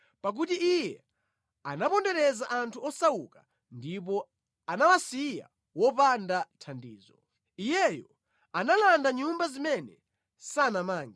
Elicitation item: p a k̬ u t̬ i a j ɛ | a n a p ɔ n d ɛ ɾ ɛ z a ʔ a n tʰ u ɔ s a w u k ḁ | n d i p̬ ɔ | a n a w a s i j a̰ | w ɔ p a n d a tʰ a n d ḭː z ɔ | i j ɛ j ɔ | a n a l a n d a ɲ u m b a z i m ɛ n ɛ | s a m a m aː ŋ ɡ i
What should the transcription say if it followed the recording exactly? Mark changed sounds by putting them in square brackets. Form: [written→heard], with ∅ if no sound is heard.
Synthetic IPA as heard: p a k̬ u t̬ i [a→i] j ɛ | a n a p ɔ n d ɛ ɾ ɛ z a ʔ a n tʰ u ɔ s a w u k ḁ | n d i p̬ ɔ | a n a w a s i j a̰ | w ɔ p a n d a tʰ a n d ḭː z ɔ | i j ɛ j ɔ | a n a l a n d a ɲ u m b a z i m ɛ n ɛ | s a [m→n] a m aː ŋ ɡ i